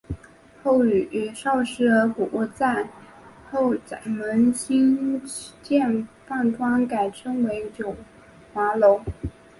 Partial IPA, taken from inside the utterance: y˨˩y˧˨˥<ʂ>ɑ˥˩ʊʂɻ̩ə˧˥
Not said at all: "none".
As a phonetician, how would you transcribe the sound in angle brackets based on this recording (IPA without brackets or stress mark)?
ʂ